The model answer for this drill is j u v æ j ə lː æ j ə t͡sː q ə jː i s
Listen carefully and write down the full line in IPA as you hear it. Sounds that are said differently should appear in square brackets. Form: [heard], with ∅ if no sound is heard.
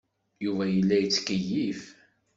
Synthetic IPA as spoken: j u v æ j ə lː æ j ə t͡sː [k] ə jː i [f]